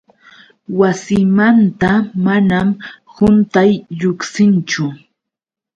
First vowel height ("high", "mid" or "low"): low